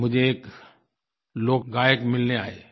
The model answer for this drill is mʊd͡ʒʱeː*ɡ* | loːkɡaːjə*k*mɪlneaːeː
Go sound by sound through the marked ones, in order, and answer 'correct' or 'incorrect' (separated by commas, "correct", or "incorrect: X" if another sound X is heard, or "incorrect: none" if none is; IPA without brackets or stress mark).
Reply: incorrect: k, correct